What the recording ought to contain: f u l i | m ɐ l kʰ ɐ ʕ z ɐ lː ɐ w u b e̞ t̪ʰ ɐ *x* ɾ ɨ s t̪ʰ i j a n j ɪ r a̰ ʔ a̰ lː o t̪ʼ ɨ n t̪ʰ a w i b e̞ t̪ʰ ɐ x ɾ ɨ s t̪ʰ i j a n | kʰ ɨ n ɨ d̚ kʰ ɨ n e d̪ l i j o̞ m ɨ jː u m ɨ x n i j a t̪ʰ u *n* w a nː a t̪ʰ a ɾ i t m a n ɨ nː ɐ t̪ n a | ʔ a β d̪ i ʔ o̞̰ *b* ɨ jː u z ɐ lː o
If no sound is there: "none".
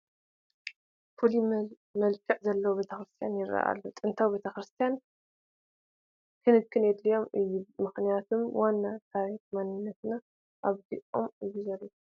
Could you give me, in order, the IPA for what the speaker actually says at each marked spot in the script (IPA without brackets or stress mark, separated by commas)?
x, m, m